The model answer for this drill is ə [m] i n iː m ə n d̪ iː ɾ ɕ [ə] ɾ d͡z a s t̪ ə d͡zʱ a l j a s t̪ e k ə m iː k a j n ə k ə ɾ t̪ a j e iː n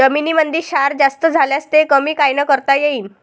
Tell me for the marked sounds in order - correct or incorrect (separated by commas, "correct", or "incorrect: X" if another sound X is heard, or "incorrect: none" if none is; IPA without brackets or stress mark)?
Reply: correct, incorrect: a